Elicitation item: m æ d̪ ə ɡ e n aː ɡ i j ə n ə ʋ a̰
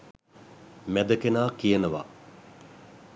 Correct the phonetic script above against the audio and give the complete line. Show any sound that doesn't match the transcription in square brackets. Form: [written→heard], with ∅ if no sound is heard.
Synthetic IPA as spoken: m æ d̪ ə [ɡ→k] e n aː [ɡ→k] i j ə n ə ʋ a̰